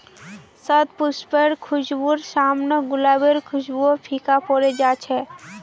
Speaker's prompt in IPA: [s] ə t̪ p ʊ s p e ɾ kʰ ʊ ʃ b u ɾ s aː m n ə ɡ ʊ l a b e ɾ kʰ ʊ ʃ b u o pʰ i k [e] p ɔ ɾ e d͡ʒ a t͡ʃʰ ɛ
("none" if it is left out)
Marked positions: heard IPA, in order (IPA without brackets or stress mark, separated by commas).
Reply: s, a